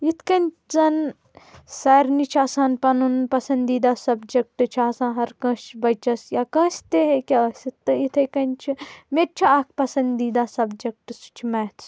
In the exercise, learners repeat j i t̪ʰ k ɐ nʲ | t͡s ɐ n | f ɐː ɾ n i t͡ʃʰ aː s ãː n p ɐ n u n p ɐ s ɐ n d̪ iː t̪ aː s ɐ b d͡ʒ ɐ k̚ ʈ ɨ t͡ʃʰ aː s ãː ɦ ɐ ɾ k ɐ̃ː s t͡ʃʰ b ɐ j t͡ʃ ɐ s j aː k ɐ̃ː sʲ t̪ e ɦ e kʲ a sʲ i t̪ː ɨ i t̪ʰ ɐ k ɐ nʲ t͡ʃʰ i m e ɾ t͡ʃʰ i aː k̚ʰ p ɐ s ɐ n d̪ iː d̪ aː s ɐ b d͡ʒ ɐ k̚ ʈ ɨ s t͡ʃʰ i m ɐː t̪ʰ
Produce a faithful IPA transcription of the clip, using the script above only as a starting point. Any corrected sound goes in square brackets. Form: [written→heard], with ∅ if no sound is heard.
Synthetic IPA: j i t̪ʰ k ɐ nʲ | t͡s ɐ n | [f→s] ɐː ɾ n i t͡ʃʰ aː s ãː n p ɐ n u n p ɐ s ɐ n d̪ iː [t̪→d̪] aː s ɐ b d͡ʒ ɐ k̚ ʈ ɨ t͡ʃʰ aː s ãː ɦ ɐ ɾ k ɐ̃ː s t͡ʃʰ b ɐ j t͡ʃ ɐ s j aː k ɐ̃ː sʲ t̪ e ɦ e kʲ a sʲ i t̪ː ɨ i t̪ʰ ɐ k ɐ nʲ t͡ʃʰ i m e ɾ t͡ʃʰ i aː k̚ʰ p ɐ s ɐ n d̪ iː d̪ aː s ɐ b d͡ʒ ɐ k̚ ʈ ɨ s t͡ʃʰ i m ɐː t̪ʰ